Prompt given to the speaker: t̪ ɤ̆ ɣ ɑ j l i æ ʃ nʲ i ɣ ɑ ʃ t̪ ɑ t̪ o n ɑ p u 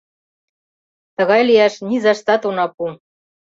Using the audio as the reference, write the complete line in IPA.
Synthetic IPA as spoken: t̪ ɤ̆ ɣ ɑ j l i æ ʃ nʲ i z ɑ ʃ t̪ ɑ t̪ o n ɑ p u